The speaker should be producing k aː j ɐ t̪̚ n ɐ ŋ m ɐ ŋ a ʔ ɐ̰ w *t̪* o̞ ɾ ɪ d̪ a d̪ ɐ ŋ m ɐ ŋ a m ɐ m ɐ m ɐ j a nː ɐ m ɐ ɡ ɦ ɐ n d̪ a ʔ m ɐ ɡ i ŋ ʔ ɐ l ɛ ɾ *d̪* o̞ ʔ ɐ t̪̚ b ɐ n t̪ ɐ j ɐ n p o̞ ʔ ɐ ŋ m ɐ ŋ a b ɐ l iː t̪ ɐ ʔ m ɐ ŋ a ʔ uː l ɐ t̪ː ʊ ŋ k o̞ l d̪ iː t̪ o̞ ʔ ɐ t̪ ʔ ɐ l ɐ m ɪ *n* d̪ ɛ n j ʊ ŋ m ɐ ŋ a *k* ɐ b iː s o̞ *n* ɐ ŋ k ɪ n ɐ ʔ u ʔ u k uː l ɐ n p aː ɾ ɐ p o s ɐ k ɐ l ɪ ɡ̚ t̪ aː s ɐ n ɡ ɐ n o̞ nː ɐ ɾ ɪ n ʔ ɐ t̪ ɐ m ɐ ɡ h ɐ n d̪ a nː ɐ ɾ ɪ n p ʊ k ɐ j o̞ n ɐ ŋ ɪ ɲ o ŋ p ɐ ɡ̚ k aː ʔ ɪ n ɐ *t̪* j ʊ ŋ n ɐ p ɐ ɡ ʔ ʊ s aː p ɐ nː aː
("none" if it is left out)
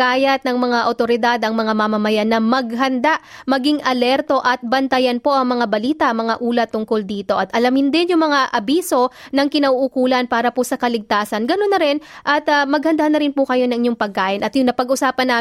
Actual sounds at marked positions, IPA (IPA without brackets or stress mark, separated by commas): t̪, t̪, n, ʔ, n, t̪